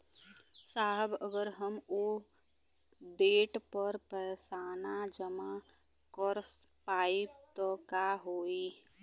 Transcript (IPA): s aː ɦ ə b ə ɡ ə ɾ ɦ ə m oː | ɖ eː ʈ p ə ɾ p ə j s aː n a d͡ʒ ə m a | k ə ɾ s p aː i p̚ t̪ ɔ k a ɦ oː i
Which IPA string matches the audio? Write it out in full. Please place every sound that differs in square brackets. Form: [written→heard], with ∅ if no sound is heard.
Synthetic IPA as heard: s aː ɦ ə b ə ɡ ə ɾ ɦ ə m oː | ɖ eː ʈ p ə ɾ p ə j s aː n a d͡ʒ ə m a | k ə ɾ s p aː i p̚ t̪ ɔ k a ɦ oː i